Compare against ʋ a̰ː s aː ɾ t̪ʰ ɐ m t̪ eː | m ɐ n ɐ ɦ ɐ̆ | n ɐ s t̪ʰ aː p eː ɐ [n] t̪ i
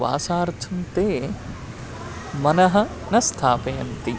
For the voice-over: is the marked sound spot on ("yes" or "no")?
yes